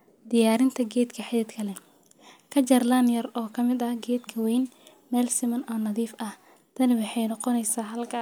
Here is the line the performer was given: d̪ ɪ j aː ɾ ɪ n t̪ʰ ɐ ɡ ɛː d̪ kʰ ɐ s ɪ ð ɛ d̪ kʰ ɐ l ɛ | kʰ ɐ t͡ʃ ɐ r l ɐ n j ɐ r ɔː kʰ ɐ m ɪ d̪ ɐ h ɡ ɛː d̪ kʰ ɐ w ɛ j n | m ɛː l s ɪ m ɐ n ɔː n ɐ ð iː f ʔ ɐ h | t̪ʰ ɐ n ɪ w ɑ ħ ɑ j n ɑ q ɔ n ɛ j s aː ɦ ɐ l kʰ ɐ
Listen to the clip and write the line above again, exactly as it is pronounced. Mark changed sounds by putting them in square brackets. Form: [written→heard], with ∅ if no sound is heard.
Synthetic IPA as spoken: d̪ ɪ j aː ɾ ɪ n t̪ʰ ɐ ɡ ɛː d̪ kʰ ɐ [s→ħ] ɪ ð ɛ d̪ kʰ ɐ l ɛ | kʰ ɐ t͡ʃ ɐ r l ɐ n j ɐ r ɔː kʰ ɐ m ɪ d̪ ɐ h ɡ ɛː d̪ kʰ ɐ w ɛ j n | m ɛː l s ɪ m ɐ n ɔː n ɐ ð iː f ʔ ɐ h | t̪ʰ ɐ n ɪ w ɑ ħ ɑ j n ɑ q ɔ n ɛ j s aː ɦ ɐ l kʰ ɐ